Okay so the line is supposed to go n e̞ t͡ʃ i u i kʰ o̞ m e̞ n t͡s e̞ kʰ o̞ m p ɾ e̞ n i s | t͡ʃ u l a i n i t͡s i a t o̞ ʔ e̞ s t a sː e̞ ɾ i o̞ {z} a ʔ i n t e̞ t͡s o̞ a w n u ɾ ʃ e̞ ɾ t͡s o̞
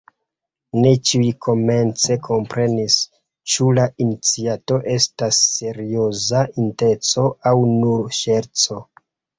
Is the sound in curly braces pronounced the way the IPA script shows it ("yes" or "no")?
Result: yes